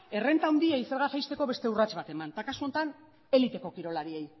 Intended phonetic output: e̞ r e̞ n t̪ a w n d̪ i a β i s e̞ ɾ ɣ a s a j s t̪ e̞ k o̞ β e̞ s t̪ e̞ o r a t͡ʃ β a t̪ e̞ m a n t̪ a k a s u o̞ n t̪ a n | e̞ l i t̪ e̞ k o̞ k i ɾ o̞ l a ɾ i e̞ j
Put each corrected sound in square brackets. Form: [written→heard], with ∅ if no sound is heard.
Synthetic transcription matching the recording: e̞ r e̞ n t̪ a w n d̪ i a [β→∅] i s e̞ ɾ ɣ a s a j s t̪ e̞ k o̞ β e̞ s t̪ e̞ [o→u] r a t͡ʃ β a t̪ e̞ m a n t̪ a k a s u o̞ n t̪ a n | e̞ l i t̪ e̞ k o̞ k i ɾ o̞ l a ɾ i e̞ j

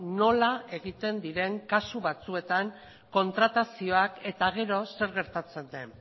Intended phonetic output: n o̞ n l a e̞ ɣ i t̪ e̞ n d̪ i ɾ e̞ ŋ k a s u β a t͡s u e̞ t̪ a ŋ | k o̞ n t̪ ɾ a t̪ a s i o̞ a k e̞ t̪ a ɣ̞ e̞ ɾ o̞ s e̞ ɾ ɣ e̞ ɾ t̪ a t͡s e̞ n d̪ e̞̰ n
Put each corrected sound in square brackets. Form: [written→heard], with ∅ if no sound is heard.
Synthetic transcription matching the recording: n o̞ [n→∅] l a e̞ ɣ i t̪ e̞ n d̪ i ɾ e̞ ŋ k a s u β a t͡s u e̞ t̪ a ŋ | k o̞ n t̪ ɾ a t̪ a s i o̞ a k e̞ t̪ a ɣ̞ e̞ ɾ o̞ s e̞ ɾ ɣ e̞ ɾ t̪ a t͡s e̞ n d̪ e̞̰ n

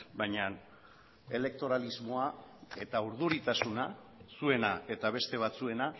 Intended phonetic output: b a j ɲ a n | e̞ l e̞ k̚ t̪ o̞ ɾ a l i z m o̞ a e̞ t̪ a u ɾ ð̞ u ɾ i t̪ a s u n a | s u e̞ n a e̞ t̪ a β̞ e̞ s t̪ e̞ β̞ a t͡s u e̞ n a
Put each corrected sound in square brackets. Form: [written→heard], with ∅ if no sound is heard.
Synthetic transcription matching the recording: b a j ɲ a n | e̞ l e̞ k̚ t̪ o̞ ɾ a l i z m o̞ a e̞ t̪ a u ɾ ð̞ u ɾ i t̪ a s u n a | s u e̞ n a e̞ t̪ a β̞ e̞ s t̪ e̞ β̞ a t͡s u e̞ n a

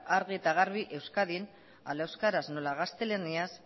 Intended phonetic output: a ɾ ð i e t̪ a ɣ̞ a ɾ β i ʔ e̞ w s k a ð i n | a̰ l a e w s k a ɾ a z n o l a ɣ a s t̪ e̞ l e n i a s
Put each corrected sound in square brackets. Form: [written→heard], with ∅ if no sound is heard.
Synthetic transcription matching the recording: a ɾ [ð→ɣ] i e t̪ a ɣ̞ a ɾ β i ʔ e̞ w s k a ð i n | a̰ l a e w s k a ɾ a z n o l a ɣ a s t̪ e̞ l e n i a s

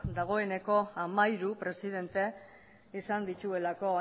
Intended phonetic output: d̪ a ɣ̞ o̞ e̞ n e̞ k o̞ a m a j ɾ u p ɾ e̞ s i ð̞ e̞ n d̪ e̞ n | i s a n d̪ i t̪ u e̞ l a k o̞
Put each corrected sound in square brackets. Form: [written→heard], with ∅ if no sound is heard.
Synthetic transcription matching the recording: d̪ a ɣ̞ o̞ e̞ n e̞ k o̞ a m a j ɾ u p ɾ e̞ s i ð̞ e̞ n [d̪→t̪] e̞ [n→∅] | i s a n d̪ i t̪ u e̞ l a k o̞

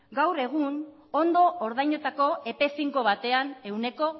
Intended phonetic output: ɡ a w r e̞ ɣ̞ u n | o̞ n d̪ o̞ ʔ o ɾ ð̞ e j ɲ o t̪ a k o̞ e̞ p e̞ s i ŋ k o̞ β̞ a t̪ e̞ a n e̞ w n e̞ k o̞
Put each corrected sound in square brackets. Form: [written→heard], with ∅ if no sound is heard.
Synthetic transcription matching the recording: ɡ a w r e̞ ɣ̞ u n | o̞ n d̪ o̞ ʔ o ɾ ð̞ [e→a] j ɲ o t̪ a k o̞ e̞ p e̞ s i ŋ k o̞ β̞ a t̪ e̞ a n e̞ w n e̞ k o̞

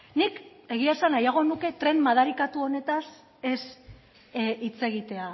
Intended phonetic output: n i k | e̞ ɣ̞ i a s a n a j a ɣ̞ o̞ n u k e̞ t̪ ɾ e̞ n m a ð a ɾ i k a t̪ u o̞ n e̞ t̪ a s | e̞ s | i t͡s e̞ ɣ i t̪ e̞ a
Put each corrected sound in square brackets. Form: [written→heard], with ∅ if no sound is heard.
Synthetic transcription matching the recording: n i k | e̞ ɣ̞ i a s a n a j a ɣ̞ o̞ n u k e̞ t̪ ɾ e̞ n m a ð a ɾ i k a t̪ u o̞ n e̞ t̪ a s | e̞ s | i t͡s e̞ ɣ i t̪ e̞ a

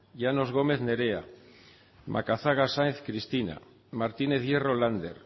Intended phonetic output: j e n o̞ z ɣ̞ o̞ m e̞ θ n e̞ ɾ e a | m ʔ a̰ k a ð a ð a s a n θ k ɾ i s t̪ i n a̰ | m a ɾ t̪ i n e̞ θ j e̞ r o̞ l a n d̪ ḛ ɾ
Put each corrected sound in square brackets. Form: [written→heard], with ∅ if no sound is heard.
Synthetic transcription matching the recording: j [e→a] n o̞ z ɣ̞ o̞ m e̞ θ n e̞ ɾ e a | m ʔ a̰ k a [ð→θ] a [ð→ɣ] a s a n θ k ɾ i s t̪ i n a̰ | m a ɾ t̪ i n e̞ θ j e̞ r o̞ l a n d̪ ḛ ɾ

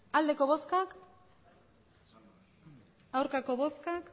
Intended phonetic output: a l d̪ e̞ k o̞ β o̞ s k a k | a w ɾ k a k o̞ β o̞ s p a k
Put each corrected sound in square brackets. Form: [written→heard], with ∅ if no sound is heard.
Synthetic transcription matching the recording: a l d̪ e̞ k o̞ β o̞ s k a k | a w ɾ k a k o̞ β o̞ s [p→k] a k

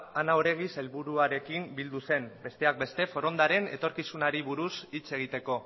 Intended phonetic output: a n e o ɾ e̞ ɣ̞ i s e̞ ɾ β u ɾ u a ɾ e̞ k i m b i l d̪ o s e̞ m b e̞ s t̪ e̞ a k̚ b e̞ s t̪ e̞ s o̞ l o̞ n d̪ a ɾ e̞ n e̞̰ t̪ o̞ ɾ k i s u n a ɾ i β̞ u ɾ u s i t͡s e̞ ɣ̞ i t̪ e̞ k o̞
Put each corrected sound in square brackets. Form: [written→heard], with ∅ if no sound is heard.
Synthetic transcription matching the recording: a n [e→a] o ɾ e̞ ɣ̞ i s e̞ [ɾ→l] β u ɾ u a ɾ e̞ k i m b i l d̪ [o→u] s e̞ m b e̞ s t̪ e̞ a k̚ b e̞ s t̪ e̞ [s→f] o̞ [l→ɾ] o̞ n d̪ a ɾ e̞ n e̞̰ t̪ o̞ ɾ k i s u n a ɾ i β̞ u ɾ u s i t͡s e̞ ɣ̞ i t̪ e̞ k o̞

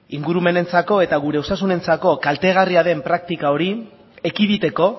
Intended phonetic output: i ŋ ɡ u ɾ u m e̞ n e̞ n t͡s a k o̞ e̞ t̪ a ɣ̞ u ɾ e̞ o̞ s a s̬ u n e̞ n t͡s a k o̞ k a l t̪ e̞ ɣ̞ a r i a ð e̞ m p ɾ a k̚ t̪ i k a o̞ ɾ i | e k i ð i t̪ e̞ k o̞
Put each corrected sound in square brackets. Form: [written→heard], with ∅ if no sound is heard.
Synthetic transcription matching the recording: i ŋ ɡ u ɾ u m e̞ n e̞ n t͡s a k o̞ e̞ t̪ a ɣ̞ u ɾ e̞ o̞ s a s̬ u n e̞ n t͡s a k o̞ k a l t̪ e̞ ɣ̞ a r i a ð e̞ m p ɾ a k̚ t̪ i k a o̞ ɾ i | e k i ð i t̪ e̞ k o̞

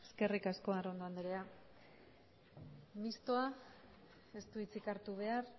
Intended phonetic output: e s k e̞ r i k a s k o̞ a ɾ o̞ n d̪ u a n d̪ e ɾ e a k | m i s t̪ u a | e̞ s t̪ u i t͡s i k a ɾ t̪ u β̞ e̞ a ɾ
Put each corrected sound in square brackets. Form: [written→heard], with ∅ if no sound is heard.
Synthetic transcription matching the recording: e s k e̞ r i k a s k o̞ a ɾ o̞ n d̪ [u→o] a n d̪ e ɾ e a [k→∅] | m i s t̪ [u→o] a | e̞ s t̪ u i t͡s i k a ɾ t̪ u β̞ e̞ a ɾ

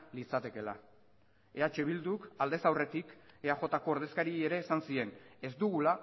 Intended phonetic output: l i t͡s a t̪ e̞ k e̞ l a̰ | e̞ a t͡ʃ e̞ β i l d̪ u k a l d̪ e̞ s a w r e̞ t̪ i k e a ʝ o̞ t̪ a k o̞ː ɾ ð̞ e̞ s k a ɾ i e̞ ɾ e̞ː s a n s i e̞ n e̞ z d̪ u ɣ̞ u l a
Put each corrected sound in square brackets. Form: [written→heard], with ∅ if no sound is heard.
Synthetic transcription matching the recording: l i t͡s a t̪ e̞ k e̞ l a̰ | e̞ a t͡ʃ e̞ β i l d̪ u k a l d̪ e̞ s a w r e̞ t̪ i k e a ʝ o̞ t̪ a k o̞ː ɾ ð̞ e̞ s k a ɾ i e̞ ɾ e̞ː s a n s i e̞ n e̞ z d̪ u ɣ̞ u l a

